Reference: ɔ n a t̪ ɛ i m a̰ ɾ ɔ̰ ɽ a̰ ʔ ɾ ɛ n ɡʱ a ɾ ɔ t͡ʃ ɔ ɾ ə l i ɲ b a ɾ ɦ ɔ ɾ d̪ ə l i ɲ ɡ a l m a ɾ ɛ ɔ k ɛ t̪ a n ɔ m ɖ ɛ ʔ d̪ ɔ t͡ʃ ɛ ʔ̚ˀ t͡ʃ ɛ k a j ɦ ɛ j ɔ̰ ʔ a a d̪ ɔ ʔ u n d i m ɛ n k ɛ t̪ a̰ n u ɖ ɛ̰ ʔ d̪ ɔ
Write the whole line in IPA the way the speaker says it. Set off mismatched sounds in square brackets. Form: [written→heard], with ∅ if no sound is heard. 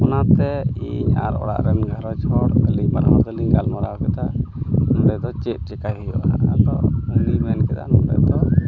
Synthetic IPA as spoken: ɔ n a t̪ ɛ i [m→ɲ] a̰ ɾ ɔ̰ ɽ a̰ ʔ ɾ ɛ n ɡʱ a ɾ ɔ t͡ʃ ɔ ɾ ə l i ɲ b a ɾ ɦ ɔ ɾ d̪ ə l i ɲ ɡ a l m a ɾ [ɛ→a] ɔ k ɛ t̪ a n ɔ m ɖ ɛ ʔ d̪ ɔ t͡ʃ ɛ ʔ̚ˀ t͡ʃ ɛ k a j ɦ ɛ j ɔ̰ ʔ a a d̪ ɔ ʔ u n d i m ɛ n k ɛ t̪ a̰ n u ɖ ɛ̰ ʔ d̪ ɔ